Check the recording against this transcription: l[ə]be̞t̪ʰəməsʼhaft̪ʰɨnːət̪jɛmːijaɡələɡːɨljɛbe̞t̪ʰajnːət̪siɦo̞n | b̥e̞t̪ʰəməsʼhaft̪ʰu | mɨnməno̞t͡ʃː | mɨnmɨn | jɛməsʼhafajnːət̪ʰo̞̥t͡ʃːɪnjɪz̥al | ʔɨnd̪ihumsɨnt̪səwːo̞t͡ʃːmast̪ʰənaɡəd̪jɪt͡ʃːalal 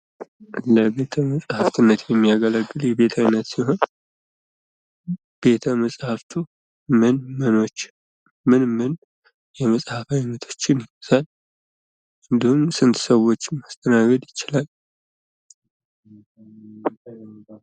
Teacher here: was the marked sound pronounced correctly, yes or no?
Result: yes